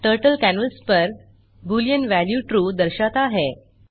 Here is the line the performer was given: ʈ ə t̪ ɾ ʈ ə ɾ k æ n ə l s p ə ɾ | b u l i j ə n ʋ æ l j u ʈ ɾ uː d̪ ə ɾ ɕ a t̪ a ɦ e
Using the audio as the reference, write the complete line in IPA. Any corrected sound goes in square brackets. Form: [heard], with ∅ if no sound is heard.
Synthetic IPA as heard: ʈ ə [∅] ɾ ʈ ə [l] k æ n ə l s p ə ɾ | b u l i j ə n ʋ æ l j u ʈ ɾ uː d̪ ə ɾ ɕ a t̪ a ɦ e